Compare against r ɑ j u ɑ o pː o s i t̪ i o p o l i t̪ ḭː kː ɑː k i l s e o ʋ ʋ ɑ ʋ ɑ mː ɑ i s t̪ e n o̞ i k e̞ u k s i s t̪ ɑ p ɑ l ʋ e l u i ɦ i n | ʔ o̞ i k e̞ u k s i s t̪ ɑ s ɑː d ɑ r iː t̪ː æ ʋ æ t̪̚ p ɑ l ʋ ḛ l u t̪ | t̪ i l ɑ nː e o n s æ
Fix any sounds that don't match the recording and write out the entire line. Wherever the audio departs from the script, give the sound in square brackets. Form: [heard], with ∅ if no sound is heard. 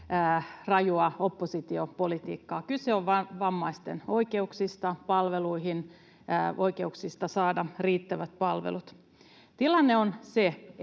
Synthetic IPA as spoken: r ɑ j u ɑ o pː o s i t̪ i o p o l i t̪ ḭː kː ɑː k [y] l s e o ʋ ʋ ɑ ʋ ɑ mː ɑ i s t̪ e n o̞ i k e̞ u k s i s t̪ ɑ p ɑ l ʋ e l u i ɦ i n | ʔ o̞ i k e̞ u k s i s t̪ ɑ s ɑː d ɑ r iː t̪ː æ ʋ æ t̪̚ p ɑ l ʋ ḛ l u t̪ | t̪ i l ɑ nː e o n s [e]